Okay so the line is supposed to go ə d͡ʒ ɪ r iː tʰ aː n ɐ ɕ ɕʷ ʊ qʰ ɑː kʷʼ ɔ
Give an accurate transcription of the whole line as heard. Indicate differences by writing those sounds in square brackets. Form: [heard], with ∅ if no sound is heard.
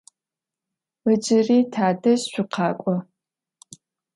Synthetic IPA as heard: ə d͡ʒ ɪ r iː tʰ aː [d] ɐ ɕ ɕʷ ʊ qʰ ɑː kʷʼ ɔ